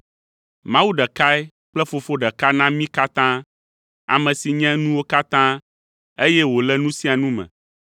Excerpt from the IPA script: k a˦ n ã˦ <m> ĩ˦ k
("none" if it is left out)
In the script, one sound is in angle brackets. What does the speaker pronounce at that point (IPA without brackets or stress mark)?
m